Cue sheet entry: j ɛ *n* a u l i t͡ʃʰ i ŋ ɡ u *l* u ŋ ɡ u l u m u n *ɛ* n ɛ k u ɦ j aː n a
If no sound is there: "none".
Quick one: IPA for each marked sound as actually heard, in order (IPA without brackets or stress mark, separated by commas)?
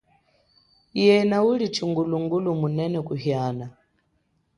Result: n, l, ɛ